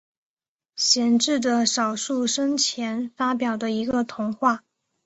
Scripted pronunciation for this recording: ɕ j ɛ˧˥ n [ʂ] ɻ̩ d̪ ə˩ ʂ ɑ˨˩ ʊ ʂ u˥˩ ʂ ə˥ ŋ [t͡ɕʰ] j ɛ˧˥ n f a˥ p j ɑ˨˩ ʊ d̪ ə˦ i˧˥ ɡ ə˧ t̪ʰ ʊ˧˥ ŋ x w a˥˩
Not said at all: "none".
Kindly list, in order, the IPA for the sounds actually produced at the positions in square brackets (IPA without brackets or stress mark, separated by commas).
ʈ͡ʂ, t͡ɕʰ